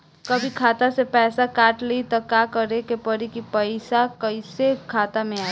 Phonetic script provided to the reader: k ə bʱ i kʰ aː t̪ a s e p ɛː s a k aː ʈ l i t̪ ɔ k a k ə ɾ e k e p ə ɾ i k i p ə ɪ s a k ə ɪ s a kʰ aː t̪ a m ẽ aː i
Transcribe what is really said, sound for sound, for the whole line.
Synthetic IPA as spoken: k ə bʱ i kʰ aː t̪ a s e p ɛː s a k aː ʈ l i t̪ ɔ k a k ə ɾ e k e p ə ɾ i k i p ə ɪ s a k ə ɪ s e kʰ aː t̪ a m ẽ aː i